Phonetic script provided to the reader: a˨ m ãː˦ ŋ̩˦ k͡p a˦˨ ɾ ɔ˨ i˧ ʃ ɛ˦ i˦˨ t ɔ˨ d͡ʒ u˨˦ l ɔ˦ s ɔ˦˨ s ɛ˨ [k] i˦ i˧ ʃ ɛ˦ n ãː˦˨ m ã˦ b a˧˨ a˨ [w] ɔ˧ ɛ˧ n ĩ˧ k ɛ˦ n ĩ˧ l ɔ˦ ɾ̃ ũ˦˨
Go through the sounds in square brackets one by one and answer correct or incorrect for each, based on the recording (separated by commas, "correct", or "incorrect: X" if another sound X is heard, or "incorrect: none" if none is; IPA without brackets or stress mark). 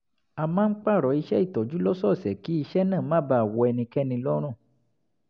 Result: correct, correct